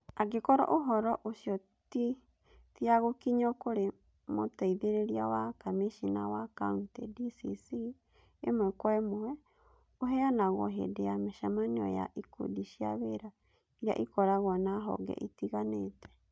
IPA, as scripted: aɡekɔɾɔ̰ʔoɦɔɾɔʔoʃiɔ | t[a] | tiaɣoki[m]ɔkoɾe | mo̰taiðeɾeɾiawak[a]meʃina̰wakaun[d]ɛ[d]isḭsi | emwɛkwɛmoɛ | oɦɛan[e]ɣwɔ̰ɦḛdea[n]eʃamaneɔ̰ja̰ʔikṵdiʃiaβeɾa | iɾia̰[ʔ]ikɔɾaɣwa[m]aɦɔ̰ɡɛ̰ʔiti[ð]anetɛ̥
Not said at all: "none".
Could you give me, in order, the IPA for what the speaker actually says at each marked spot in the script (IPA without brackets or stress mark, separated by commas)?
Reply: i, ɲ, a, t, d, a, m, ʔ, n, ɣ